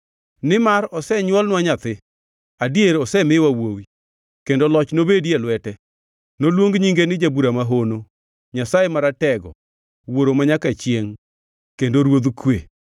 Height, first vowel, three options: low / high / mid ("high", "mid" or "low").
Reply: high